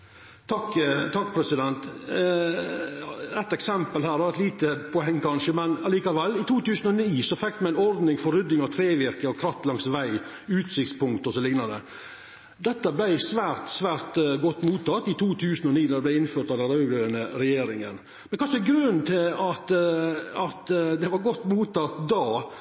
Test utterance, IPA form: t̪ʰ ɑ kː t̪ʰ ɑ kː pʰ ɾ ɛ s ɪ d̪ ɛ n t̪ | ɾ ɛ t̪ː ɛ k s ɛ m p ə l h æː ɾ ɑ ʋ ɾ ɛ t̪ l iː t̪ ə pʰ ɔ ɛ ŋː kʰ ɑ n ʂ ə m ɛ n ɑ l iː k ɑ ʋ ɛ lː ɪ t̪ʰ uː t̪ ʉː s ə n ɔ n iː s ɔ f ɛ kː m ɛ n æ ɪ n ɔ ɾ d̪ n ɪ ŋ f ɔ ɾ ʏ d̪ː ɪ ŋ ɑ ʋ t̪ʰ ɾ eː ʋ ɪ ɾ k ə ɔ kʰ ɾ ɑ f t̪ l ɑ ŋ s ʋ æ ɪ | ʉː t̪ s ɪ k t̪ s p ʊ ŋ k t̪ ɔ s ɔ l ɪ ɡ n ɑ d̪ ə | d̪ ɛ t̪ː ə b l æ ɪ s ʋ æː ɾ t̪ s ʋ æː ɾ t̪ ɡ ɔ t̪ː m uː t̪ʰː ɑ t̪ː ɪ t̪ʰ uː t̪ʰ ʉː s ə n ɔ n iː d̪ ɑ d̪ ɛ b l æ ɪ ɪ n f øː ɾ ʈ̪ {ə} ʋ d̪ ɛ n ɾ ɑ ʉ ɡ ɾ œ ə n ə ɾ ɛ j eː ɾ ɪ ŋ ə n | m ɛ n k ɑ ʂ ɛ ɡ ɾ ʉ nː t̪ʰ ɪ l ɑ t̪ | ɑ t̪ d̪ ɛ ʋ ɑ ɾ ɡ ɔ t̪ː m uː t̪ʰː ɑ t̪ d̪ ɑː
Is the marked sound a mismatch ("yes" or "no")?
yes